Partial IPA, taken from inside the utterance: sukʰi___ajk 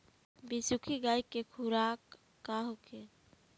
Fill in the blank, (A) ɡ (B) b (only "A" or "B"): A